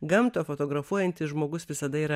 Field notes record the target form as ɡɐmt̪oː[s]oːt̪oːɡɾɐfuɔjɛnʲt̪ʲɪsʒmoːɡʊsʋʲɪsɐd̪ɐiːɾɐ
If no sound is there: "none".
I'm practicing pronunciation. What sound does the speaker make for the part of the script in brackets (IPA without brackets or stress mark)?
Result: f